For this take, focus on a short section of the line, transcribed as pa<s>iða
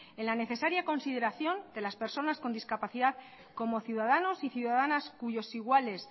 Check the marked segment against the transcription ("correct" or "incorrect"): incorrect